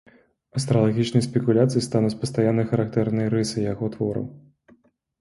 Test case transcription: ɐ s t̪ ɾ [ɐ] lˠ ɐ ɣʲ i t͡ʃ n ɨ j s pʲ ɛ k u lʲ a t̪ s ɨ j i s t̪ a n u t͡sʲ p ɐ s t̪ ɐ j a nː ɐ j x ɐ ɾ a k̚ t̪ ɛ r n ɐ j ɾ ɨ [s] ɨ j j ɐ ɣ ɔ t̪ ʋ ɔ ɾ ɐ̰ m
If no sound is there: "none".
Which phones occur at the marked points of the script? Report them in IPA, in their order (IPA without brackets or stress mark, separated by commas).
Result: ɐ, s